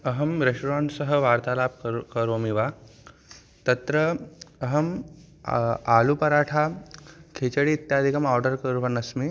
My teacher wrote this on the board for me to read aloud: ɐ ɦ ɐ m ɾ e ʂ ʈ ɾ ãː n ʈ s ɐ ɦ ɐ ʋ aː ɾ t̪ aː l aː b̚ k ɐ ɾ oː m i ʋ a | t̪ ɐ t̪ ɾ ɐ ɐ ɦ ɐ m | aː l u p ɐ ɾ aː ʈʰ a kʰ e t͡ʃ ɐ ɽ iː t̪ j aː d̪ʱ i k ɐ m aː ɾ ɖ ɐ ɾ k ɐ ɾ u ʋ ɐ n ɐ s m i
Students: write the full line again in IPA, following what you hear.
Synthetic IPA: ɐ ɦ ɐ m ɾ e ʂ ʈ ɾ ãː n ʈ s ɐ ɦ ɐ ʋ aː ɾ t̪ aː l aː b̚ k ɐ ɾ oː m i ʋ a | t̪ ɐ t̪ ɾ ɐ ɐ ɦ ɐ m | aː l u p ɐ ɾ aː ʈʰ a kʰ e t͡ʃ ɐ ɽ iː t̪ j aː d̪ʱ i k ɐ m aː ɾ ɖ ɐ ɾ k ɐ ɾ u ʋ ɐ n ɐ s m i